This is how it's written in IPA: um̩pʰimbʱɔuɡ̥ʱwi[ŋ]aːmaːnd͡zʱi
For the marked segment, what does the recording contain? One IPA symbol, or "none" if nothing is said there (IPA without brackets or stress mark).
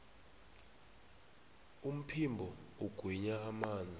ɲ